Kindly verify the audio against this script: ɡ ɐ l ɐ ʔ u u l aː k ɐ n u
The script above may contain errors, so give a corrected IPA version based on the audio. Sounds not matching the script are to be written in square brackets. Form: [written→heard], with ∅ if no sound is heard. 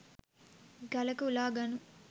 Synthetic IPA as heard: ɡ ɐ l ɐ [ʔ→k] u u l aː [k→ɡ] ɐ n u